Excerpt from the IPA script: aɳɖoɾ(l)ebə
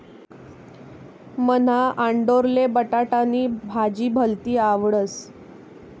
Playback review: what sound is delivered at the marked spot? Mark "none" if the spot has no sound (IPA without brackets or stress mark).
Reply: l